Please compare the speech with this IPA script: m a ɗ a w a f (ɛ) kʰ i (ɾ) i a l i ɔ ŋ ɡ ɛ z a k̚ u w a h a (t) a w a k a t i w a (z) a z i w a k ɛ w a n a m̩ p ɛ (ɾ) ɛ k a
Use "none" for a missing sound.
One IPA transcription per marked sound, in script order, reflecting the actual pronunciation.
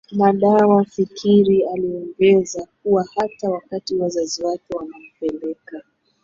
i, ɾ, t, z, l

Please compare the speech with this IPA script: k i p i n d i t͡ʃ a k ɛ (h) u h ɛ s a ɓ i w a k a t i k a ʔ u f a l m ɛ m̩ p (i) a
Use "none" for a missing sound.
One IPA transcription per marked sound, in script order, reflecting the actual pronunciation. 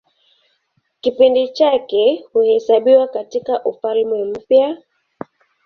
h, j

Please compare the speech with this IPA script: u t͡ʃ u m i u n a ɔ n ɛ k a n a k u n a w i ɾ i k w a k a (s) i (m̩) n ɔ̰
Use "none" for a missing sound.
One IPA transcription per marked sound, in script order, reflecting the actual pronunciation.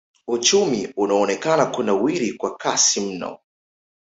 s, m̩

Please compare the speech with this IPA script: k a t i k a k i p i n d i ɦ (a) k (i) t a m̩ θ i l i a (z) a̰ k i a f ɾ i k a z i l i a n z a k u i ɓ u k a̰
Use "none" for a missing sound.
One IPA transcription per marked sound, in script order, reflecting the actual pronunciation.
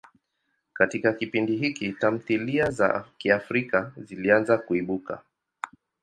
i, i, z

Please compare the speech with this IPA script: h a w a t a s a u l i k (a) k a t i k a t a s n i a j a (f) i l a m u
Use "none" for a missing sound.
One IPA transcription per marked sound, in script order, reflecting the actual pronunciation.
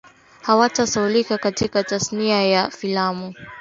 a, f

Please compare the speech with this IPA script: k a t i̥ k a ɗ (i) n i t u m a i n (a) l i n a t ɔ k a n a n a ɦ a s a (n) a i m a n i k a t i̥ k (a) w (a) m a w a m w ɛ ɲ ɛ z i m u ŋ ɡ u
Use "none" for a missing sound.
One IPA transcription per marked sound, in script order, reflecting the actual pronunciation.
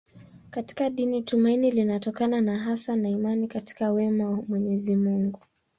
i, i, n, a, ɛ

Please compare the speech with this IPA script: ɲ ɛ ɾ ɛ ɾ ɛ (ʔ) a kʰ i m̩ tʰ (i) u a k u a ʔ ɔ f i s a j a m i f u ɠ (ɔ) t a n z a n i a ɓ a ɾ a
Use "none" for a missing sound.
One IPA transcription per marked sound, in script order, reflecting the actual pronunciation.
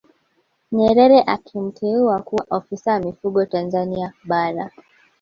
ʔ, ɛ, ɔ

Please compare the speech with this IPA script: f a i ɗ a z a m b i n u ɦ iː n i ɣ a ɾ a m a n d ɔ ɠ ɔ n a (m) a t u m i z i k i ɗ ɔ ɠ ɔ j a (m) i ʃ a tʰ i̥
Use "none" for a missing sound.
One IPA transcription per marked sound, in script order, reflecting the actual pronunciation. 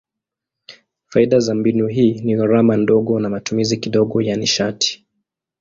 m, n

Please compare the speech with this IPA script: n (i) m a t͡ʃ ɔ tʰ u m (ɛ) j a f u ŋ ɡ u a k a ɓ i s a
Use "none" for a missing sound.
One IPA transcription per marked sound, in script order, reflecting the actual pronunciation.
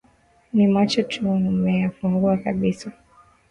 i, ɛ

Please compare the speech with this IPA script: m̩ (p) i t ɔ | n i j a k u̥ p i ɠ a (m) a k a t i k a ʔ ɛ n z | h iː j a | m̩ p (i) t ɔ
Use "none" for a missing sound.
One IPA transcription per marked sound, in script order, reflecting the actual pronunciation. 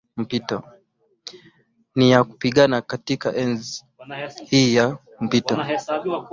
p, n, i

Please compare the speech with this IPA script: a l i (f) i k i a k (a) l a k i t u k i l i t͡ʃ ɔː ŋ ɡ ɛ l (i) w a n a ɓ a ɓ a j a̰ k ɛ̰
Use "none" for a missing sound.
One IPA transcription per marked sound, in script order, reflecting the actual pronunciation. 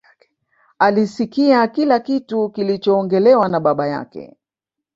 s, i, ɛ

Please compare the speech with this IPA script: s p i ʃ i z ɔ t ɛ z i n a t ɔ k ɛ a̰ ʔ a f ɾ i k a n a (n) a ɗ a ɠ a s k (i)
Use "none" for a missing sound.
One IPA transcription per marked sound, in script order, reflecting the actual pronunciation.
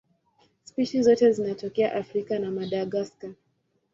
m, a

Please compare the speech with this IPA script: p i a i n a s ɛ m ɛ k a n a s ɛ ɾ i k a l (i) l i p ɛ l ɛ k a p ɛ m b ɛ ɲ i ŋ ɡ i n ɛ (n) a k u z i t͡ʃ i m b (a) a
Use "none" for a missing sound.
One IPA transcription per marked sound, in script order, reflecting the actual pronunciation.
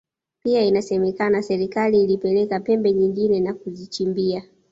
iː, n, i

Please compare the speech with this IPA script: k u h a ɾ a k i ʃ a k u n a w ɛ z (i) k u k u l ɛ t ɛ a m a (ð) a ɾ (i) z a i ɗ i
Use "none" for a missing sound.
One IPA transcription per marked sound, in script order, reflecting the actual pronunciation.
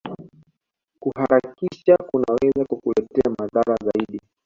a, ð, a

